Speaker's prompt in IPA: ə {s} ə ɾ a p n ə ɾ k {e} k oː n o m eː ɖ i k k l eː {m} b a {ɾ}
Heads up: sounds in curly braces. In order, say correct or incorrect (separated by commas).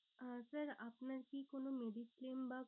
correct, incorrect, correct, incorrect